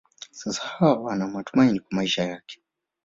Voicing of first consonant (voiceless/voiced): voiceless